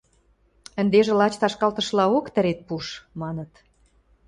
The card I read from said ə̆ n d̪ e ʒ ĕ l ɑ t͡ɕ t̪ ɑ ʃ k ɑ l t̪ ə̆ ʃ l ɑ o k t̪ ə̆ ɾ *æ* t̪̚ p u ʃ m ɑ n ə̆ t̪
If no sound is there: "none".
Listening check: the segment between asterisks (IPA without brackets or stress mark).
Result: e